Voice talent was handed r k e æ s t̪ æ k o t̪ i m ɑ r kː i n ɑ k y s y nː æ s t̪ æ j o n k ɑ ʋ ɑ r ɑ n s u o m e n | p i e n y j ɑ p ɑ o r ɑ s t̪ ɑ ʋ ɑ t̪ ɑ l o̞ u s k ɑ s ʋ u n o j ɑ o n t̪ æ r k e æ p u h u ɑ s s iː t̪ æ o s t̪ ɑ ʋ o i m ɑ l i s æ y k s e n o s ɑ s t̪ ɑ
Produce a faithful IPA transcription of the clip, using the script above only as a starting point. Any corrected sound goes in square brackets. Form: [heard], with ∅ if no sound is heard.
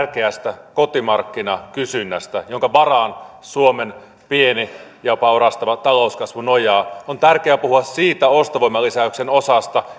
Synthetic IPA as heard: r k e æ s t̪ æ k o t̪ i m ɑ r kː i n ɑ k y s y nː æ s t̪ æ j o [ŋ] k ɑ ʋ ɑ r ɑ n s u o m e n | p i e n [i] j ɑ p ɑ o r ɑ s t̪ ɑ ʋ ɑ t̪ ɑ l o̞ u s k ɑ s ʋ u n o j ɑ o n t̪ æ r k e æ p u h u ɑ s s iː t̪ æ o s t̪ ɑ ʋ o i m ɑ l i s æ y k s e n o s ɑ s t̪ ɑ